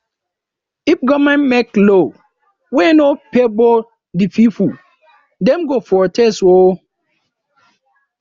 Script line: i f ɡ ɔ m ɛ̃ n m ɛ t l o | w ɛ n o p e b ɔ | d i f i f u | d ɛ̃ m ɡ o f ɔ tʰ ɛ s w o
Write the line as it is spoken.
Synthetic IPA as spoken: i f ɡ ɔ m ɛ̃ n m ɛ k l o | w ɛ n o p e b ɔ | d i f i f u | d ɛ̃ m ɡ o f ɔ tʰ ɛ s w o